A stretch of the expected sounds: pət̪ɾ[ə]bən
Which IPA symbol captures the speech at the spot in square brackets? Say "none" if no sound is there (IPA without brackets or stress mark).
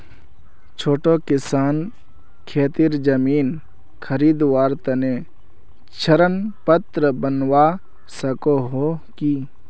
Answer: ə